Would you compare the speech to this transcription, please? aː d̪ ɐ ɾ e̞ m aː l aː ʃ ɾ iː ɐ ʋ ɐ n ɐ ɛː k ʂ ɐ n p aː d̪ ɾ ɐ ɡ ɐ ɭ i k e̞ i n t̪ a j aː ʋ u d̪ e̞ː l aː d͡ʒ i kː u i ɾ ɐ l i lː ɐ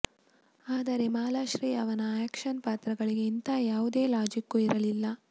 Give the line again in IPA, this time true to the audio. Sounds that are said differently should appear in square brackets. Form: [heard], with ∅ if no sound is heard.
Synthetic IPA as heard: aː d̪ ɐ ɾ e̞ m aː l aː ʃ ɾ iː ɐ ʋ ɐ n ɐ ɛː k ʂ ɐ n p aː [t̪] ɾ ɐ ɡ ɐ ɭ i [ɡ] e̞ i n t̪ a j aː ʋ u d̪ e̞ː l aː d͡ʒ i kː u i ɾ ɐ l i lː ɐ